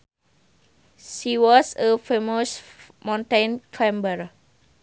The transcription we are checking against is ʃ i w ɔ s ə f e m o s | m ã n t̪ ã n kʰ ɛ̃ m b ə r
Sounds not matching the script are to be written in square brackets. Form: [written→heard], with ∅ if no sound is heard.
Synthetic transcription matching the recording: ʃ i w ɔ s ə f e m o s | m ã n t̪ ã n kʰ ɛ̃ m b ə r